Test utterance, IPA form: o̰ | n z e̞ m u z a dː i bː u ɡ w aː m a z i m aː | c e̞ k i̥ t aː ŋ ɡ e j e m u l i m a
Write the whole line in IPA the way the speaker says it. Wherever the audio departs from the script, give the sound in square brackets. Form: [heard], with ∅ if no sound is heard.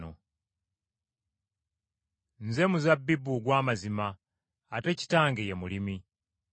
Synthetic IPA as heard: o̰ | n z e̞ m u z a [bː] i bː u ɡ w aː m a z i m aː | [t] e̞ [c] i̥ t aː ŋ ɡ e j e m u l i m [i]